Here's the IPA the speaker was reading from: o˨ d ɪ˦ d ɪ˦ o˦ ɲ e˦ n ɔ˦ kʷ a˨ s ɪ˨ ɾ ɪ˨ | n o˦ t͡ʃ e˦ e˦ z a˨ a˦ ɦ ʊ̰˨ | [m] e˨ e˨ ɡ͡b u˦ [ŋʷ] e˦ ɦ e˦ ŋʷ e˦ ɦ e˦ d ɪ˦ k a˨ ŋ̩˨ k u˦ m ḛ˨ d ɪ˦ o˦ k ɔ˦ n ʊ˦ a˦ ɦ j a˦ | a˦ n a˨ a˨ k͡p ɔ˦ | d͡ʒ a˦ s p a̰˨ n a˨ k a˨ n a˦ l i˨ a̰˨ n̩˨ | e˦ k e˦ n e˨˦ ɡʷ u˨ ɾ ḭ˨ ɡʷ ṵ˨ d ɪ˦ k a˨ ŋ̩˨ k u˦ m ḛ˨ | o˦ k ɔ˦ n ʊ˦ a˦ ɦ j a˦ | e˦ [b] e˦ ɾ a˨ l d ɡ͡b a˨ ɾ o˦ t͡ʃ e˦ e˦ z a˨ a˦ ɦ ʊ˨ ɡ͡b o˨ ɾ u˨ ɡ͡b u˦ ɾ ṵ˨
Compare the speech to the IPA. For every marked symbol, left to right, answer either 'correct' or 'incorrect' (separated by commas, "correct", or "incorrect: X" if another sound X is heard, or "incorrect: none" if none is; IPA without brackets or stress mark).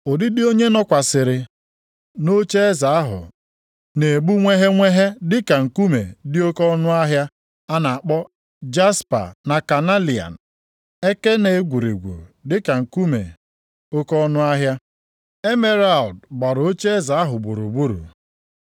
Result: incorrect: n, correct, incorrect: m